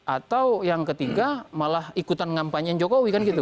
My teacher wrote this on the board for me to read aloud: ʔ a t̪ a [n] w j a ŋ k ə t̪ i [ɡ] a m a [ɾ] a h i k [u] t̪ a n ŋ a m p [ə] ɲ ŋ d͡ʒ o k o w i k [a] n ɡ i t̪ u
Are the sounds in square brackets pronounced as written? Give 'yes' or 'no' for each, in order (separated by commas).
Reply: no, yes, no, yes, no, yes